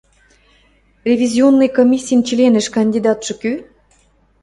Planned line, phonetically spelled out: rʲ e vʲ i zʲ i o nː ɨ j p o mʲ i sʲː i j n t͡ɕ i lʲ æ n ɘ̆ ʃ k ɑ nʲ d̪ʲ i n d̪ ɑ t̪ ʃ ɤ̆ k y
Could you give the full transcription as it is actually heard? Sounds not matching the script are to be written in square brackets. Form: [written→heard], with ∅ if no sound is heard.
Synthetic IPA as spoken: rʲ e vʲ i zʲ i o nː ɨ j [p→k] o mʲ i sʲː i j n t͡ɕ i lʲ [æ→e] n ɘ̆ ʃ k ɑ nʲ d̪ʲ i [n→∅] d̪ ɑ t̪ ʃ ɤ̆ k y